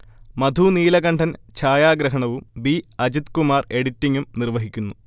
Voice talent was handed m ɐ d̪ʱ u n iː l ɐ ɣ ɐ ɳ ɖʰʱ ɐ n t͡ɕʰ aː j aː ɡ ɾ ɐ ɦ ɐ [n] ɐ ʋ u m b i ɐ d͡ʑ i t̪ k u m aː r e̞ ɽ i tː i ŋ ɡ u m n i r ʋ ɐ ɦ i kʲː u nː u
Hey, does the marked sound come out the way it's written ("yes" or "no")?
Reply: no